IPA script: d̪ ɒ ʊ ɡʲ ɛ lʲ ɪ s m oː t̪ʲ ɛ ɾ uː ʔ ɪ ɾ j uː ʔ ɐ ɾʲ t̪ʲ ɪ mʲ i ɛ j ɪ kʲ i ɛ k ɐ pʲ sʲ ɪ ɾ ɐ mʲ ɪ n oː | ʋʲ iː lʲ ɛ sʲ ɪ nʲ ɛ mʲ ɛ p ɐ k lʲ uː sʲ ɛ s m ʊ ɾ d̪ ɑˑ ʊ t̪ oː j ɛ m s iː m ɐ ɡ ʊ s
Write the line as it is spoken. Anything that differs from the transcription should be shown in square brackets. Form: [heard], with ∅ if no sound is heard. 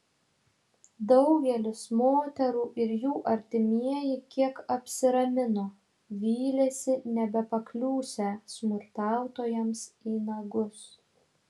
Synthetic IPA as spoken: d̪ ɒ ʊ ɡʲ ɛ lʲ ɪ s m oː t̪ʲ ɛ ɾ uː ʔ ɪ ɾ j uː ʔ ɐ ɾʲ t̪ʲ ɪ mʲ i ɛ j ɪ kʲ i ɛ k ɐ pʲ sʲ ɪ ɾ ɐ mʲ ɪ n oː | ʋʲ iː lʲ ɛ sʲ ɪ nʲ ɛ [bʲ] ɛ p ɐ k lʲ uː sʲ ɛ s m ʊ ɾ [t̪] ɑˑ ʊ t̪ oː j ɛ m s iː [n] ɐ ɡ ʊ s